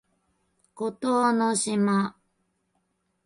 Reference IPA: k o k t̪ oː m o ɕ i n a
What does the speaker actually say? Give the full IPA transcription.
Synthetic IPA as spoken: k o t̪ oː n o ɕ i m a